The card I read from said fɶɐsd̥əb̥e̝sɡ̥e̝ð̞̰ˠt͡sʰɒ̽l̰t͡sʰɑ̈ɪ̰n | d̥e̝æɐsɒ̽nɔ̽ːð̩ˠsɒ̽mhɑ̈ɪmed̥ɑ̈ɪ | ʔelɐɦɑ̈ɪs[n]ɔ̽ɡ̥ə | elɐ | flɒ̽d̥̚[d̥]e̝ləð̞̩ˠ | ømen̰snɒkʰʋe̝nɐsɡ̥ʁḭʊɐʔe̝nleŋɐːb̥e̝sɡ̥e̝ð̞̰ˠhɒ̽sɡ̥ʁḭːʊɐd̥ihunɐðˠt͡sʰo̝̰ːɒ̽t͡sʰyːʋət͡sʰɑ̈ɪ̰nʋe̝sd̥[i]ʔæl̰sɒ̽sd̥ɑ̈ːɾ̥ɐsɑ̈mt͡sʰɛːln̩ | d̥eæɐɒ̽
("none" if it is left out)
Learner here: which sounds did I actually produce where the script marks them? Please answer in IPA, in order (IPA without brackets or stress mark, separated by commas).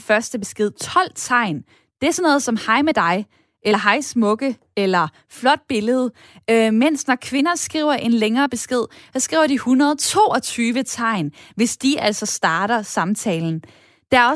m, b̥, i